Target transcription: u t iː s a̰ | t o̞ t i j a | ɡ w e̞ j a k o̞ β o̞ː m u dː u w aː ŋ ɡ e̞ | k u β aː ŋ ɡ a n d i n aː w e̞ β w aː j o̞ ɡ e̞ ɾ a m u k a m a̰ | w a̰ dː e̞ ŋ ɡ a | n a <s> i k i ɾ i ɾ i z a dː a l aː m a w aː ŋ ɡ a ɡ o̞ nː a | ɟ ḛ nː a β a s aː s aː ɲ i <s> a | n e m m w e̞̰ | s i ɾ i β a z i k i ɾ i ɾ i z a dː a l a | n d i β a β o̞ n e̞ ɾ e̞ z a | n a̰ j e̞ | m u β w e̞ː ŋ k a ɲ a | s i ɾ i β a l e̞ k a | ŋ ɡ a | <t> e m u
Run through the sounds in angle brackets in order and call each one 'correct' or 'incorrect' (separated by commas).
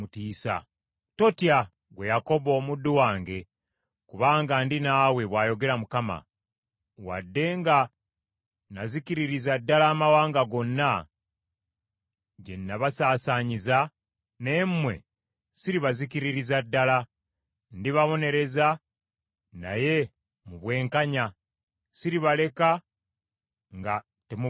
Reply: incorrect, incorrect, correct